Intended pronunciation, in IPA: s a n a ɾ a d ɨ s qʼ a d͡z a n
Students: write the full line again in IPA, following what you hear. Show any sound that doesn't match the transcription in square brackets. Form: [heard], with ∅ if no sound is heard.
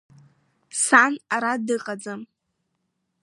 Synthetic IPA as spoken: s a n a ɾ a d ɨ [∅] qʼ a d͡z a [m]